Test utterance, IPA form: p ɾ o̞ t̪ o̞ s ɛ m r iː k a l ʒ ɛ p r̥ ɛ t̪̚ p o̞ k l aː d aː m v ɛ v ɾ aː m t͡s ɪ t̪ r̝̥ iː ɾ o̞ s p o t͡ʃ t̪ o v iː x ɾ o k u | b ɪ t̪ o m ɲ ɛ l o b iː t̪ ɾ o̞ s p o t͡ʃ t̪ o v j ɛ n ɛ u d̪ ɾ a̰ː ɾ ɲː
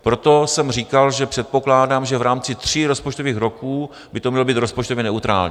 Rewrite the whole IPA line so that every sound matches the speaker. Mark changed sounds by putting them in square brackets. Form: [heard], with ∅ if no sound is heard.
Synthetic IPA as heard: p ɾ o̞ t̪ o̞ s ɛ m r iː k a l ʒ ɛ p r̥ ɛ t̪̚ p o̞ k l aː d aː m [ʒ] ɛ v ɾ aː m t͡s ɪ t̪ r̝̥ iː ɾ o̞ s p o t͡ʃ t̪ o v iː x ɾ o k [uː] | b ɪ t̪ o m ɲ ɛ l o b iː t̪ ɾ o̞ s p o t͡ʃ t̪ o v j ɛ n ɛ u [t̪] ɾ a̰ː [l] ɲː

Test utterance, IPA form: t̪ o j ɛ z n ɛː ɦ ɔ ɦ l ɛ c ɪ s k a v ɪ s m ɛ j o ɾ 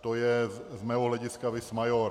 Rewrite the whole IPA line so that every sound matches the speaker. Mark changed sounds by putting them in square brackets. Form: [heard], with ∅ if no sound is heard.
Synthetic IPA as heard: t̪ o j ɛ z [m] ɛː ɦ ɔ ɦ l ɛ [ɟ] ɪ s k a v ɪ s m [a] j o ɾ

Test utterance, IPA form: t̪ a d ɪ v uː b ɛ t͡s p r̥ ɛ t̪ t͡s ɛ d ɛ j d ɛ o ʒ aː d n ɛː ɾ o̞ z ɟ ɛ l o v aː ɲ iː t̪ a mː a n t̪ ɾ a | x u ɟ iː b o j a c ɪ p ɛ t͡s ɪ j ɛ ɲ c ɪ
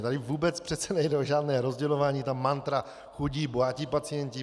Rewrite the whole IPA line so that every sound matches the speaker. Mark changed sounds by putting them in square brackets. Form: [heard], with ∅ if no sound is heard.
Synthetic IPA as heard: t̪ a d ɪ v uː b ɛ t͡s p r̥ ɛ t̪ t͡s ɛ [n] ɛ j d ɛ o ʒ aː d n ɛː ɾ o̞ z ɟ ɛ l o v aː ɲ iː t̪ a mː a n t̪ ɾ a | x u ɟ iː b o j a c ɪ p [a] t͡s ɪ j ɛ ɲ c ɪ

